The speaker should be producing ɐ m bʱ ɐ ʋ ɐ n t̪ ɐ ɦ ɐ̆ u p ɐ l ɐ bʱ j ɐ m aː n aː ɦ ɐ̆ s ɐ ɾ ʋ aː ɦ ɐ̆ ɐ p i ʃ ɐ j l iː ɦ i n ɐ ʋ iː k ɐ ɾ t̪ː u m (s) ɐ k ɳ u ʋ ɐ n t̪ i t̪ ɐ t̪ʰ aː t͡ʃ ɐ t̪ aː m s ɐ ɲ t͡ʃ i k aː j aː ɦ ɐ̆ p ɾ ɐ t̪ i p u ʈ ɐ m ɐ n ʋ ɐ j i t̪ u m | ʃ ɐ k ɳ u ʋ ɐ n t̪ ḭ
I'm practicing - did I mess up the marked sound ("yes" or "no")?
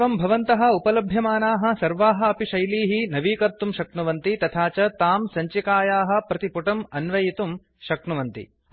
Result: yes